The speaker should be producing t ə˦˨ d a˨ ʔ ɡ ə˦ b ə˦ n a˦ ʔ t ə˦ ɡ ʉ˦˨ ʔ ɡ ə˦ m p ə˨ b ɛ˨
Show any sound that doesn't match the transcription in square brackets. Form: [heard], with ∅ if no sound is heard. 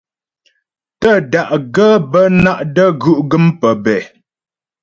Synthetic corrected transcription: t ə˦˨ d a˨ ʔ ɡ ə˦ b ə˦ n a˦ ʔ [d] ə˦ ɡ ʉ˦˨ ʔ ɡ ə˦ m p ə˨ b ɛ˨